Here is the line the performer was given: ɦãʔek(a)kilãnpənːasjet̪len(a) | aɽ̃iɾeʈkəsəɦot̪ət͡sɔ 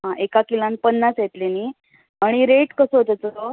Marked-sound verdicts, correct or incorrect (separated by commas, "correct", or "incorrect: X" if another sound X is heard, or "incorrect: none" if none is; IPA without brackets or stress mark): correct, incorrect: i